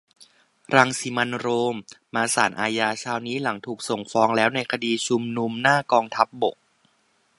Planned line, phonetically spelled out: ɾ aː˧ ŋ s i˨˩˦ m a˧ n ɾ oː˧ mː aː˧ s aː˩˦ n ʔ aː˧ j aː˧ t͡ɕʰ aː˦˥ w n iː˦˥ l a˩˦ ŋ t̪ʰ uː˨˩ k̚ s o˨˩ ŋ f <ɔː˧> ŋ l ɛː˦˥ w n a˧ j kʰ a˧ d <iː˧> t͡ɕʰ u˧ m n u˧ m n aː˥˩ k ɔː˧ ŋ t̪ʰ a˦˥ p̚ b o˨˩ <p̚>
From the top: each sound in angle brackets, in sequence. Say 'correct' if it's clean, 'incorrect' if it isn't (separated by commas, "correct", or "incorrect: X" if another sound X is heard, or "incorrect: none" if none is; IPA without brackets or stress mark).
correct, correct, incorrect: k̚